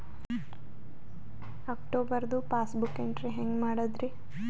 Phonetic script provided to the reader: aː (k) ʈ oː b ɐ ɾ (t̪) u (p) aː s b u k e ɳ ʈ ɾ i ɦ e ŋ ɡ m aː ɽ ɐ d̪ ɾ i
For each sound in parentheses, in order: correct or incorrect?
correct, incorrect: d̪, correct

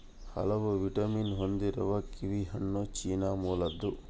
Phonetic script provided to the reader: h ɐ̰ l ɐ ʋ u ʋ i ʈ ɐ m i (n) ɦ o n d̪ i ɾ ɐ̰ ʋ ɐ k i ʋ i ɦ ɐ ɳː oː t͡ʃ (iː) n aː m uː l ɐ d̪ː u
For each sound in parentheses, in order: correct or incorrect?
correct, correct

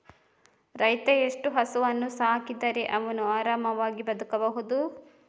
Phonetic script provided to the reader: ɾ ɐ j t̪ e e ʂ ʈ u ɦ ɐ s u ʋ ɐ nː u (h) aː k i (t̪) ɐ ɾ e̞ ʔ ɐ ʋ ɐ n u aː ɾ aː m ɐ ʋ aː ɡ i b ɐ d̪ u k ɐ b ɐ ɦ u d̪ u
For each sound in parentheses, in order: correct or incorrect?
incorrect: s, incorrect: d̪

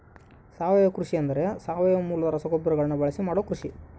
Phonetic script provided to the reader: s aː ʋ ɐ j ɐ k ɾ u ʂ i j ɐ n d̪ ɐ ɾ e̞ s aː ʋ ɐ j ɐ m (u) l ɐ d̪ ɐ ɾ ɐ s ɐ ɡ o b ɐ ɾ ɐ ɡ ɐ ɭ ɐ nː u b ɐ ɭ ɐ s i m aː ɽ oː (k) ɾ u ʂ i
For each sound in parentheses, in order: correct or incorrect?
incorrect: uː, correct

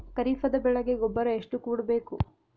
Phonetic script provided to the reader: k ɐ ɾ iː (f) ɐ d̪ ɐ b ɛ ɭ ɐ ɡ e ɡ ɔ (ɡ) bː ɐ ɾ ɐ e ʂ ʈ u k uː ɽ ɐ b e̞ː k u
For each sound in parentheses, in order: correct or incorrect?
correct, incorrect: none

